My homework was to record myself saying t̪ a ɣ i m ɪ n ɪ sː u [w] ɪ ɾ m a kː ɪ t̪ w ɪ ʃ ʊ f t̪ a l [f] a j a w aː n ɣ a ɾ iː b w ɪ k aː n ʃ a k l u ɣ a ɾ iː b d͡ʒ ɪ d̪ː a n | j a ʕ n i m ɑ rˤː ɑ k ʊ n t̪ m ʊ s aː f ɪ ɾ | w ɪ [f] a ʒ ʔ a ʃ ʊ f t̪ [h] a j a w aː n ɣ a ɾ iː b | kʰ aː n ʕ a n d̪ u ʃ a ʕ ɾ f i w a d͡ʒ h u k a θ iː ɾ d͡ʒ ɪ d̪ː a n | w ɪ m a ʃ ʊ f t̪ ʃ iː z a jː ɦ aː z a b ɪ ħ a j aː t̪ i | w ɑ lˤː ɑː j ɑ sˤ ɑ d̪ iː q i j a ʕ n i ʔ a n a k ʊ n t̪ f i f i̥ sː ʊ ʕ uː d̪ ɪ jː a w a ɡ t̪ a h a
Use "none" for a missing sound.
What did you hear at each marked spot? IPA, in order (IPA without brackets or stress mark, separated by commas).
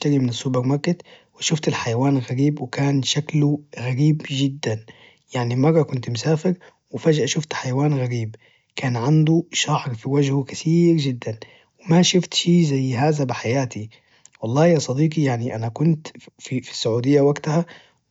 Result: b, ħ, f, ħ